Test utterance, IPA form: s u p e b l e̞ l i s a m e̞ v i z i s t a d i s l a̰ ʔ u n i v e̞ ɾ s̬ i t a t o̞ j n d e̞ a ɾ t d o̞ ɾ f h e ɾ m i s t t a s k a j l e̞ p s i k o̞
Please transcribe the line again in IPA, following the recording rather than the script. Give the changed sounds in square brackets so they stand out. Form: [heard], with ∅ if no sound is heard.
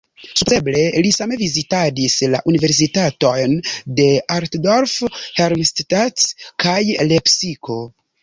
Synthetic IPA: s u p e b l e̞ l i s a m e̞ v i z i [∅] t a d i s l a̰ ʔ u n i v e̞ ɾ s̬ i t a t o̞ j n d e̞ a ɾ t d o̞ ɾ f h e ɾ m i s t t a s k a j l e̞ p s i k o̞